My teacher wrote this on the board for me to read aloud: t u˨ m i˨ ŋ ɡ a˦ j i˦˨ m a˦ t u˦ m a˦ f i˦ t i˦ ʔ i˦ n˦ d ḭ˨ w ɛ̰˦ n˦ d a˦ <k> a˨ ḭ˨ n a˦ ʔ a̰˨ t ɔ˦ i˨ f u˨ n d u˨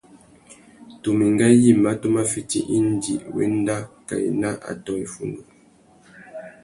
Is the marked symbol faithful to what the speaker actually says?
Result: yes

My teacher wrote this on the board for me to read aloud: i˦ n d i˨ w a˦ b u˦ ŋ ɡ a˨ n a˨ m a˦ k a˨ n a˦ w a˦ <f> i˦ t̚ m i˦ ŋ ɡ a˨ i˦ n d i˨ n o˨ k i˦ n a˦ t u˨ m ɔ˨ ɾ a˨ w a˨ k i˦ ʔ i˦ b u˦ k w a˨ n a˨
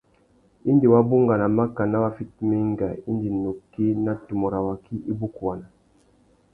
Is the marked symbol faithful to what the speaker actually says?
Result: yes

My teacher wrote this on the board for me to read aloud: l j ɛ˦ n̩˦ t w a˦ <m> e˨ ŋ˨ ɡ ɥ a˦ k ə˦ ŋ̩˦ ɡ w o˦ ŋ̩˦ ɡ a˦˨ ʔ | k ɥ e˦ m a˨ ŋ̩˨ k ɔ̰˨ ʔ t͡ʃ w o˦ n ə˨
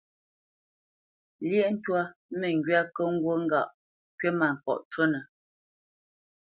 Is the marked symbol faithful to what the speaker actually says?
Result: yes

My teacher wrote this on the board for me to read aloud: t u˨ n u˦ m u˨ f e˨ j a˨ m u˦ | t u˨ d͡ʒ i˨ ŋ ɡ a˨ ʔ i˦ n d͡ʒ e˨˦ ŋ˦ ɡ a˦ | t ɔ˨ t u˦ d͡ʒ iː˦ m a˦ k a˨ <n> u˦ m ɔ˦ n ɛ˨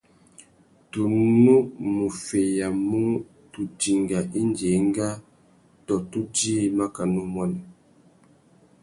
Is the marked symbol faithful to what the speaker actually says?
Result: yes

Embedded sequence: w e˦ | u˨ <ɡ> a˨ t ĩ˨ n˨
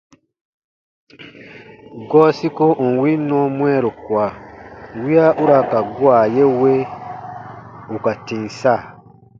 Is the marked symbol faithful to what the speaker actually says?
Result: no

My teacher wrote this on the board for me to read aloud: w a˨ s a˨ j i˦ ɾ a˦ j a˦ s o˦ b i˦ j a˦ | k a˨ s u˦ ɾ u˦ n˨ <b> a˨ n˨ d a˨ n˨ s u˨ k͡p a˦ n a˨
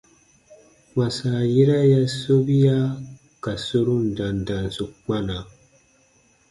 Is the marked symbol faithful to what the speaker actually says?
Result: no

